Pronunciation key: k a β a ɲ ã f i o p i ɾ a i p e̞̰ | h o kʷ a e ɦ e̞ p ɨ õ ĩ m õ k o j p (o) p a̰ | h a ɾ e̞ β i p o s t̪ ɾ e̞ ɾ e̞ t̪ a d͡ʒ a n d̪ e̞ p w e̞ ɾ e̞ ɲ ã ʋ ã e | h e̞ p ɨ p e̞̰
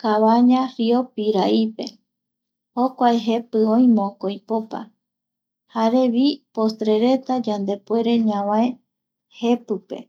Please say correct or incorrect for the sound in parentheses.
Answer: correct